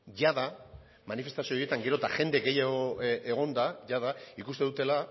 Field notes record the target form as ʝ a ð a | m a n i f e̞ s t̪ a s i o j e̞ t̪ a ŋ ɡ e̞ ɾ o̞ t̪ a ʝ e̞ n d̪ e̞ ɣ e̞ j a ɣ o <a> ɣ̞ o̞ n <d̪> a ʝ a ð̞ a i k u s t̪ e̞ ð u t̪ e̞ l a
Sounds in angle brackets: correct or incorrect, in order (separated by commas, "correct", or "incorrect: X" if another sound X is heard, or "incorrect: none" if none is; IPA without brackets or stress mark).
incorrect: e, correct